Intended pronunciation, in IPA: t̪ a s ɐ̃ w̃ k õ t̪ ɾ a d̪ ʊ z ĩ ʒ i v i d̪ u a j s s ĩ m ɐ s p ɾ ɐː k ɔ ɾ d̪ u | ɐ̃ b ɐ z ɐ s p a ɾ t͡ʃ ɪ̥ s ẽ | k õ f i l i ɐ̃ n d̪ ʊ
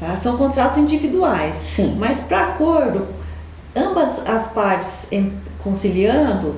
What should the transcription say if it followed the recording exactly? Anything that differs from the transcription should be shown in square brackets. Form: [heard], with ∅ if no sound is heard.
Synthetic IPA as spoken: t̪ a s ɐ̃ w̃ k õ t̪ ɾ a [t̪] ʊ z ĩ [d͡ʒ] i v i d̪ u a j s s ĩ m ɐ s p ɾ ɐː k [o] ɾ d̪ [ʊ] | ɐ̃ b ɐ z ɐ s p a ɾ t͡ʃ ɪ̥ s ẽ | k õ [s] i l i ɐ̃ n d̪ ʊ